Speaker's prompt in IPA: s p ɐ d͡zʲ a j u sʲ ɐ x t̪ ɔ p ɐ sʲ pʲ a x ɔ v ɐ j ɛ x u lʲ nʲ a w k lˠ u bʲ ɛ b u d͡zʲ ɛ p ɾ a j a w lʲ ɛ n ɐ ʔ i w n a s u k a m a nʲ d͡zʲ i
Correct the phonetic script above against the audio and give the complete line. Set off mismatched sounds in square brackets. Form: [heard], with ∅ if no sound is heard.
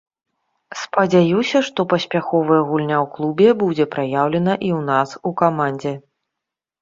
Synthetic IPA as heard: s p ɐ d͡zʲ a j u sʲ ɐ [ʂ] t̪ ɔ p ɐ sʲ pʲ a x ɔ v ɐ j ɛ [ɣ] u lʲ nʲ a w k lˠ u bʲ ɛ b u d͡zʲ ɛ p ɾ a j a w lʲ ɛ n ɐ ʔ i w n a s u k a m a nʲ d͡zʲ [ɛ]